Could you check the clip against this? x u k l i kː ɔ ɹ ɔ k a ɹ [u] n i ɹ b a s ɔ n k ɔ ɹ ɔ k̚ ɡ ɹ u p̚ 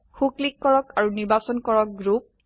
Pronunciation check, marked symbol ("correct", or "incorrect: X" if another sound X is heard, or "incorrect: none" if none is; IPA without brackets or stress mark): correct